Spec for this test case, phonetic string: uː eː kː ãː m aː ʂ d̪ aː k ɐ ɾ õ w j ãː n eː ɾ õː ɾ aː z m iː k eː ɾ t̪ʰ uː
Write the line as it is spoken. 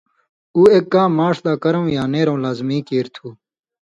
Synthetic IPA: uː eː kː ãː m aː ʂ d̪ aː k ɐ ɾ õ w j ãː n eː ɾ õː l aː z m iː k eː ɾ t̪ʰ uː